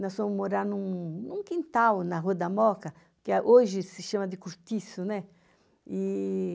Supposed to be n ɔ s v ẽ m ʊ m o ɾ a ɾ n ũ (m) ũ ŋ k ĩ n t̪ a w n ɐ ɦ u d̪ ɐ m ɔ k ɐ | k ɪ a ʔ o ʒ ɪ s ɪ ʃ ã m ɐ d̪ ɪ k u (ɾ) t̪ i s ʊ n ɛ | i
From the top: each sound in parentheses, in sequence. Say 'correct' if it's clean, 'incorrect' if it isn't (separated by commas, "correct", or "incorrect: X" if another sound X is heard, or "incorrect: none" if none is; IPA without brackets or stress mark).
incorrect: n, correct